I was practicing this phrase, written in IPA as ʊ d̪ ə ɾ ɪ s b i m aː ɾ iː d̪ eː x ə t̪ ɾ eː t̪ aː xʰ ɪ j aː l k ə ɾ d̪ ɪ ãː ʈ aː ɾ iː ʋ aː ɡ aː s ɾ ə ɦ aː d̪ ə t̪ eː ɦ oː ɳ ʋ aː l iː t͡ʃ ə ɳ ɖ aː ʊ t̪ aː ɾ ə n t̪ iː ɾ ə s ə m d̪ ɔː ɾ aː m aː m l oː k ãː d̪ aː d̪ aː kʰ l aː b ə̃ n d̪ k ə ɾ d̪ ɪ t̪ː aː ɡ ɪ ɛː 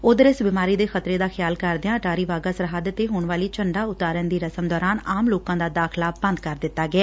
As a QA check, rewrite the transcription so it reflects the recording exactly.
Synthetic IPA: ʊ d̪ ə ɾ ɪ s b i m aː ɾ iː d̪ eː x ə t̪ ɾ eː d̪ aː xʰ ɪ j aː l k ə ɾ d̪ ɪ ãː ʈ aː ɾ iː ʋ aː ɡ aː s ɾ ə ɦ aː d̪ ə t̪ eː ɦ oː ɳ ʋ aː l iː t͡ʃ ə ɳ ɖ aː ʊ t̪ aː ɾ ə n d̪ iː ɾ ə s ə m d̪ ɔː ɾ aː n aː m l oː k ãː d̪ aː d̪ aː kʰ l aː b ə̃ n d̪ k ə ɾ d̪ ɪ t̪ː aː ɡ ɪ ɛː

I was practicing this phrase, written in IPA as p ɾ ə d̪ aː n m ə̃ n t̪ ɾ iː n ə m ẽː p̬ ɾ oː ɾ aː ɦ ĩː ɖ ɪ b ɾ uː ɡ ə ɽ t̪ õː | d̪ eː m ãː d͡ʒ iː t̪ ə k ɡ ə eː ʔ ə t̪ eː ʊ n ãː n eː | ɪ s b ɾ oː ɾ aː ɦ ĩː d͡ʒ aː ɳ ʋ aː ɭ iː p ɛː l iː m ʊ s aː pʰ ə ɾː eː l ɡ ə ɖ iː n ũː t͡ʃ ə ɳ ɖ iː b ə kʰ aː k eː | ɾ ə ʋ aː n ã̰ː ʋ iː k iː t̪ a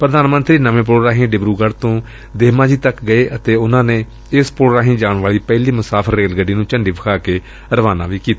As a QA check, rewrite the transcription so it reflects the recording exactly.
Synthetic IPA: p ɾ ə d̪ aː n m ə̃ n t̪ ɾ iː n ə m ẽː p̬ ɾ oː ɾ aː ɦ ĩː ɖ ɪ b ɾ uː ɡ ə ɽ t̪ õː | d̪ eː m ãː d͡ʒ iː t̪ ə k ɡ ə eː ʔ ə t̪ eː ʊ n ãː n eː | ɪ s p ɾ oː ɾ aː ɦ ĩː d͡ʒ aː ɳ ʋ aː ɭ iː p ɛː l iː m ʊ s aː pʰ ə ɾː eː l ɡ ə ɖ iː n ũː t͡ʃ ə ɳ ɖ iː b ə kʰ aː k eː | ɾ ə ʋ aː n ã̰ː ʋ iː k iː t̪ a

